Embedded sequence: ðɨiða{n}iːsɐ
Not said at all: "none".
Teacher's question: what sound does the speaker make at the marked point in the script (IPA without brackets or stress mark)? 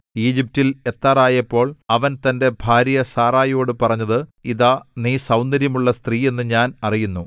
n